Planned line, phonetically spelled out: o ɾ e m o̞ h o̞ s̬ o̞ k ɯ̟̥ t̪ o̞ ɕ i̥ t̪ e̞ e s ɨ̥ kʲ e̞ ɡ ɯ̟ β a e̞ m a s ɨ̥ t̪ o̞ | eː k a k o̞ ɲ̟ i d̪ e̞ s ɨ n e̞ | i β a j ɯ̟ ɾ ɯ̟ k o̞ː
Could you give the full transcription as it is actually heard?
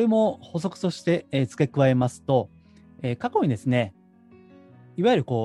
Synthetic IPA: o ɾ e m o̞ h o̞ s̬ o̞ k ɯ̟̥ t̪ o̞ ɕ i̥ t̪ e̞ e t͡s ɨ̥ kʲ e̞ k ɯ̟ β a e̞ m a s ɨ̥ t̪ o̞ | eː k a k o̞ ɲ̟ i d̪ e̞ s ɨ n e̞ | i β a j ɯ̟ ɾ ɯ̟ k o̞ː